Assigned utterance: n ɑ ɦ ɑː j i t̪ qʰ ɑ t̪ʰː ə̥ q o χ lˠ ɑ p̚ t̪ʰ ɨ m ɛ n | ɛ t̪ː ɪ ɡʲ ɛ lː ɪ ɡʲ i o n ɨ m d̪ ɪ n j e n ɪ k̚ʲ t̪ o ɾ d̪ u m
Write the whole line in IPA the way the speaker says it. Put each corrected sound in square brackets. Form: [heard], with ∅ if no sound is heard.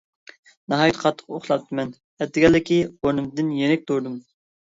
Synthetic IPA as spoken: n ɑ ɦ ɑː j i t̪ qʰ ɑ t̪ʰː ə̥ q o χ lˠ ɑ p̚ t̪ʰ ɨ m ɛ n | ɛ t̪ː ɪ ɡʲ ɛ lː ɪ [kʲ] i o n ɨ m d̪ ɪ n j e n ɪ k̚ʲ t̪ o ɾ d̪ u m